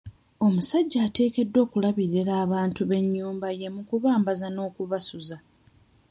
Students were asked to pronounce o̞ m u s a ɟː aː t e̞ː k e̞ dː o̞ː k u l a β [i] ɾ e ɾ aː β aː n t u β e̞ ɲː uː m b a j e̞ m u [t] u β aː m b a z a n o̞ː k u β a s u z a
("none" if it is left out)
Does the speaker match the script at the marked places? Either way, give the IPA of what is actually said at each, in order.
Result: i, k

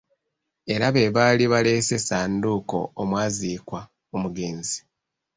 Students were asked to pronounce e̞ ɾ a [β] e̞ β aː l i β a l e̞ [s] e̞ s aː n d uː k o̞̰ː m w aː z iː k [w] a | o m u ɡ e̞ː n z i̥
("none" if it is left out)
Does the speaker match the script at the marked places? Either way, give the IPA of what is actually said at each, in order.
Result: β, s, w

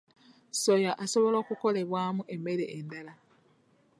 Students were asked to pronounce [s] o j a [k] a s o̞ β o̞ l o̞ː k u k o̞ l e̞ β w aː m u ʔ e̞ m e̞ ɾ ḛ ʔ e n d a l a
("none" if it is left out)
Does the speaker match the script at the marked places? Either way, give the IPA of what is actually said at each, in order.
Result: s, ʔ

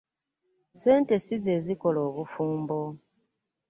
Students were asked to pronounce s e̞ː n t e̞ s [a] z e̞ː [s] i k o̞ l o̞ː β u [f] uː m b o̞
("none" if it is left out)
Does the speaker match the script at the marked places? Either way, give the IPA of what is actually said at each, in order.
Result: i, z, f

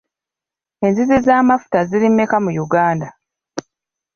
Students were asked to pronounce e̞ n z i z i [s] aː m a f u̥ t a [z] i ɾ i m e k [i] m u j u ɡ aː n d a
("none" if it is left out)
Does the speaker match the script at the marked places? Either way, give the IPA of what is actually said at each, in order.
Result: z, z, a

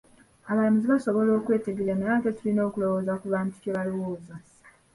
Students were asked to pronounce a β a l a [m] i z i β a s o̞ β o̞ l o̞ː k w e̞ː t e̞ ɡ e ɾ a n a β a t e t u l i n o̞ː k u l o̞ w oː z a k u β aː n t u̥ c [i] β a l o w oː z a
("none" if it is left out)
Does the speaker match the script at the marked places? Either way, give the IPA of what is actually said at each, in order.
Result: m, e

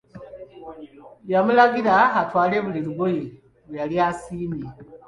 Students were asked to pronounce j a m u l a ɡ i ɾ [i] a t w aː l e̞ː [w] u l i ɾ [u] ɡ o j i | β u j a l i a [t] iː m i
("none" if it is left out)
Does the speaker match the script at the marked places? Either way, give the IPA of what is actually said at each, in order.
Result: a, β, u, s

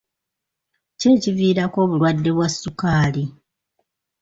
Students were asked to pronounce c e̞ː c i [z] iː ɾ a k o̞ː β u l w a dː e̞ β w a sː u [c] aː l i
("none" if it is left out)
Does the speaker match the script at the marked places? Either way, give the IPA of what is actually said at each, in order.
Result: v, k

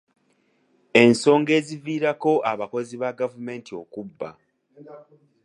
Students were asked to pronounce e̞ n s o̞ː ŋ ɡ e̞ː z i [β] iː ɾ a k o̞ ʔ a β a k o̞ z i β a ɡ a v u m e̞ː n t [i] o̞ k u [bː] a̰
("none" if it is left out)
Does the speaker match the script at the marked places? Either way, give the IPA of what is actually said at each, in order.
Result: v, i, bː

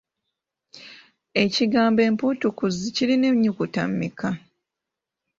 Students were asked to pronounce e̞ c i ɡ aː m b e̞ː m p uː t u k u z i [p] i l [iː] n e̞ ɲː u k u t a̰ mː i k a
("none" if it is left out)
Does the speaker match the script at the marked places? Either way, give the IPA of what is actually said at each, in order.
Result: c, i

